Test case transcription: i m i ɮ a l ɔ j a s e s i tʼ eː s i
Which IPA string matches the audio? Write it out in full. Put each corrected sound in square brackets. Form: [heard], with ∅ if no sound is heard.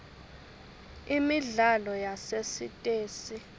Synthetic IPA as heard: i m i ɮ a l ɔ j a s e s i tʼ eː s i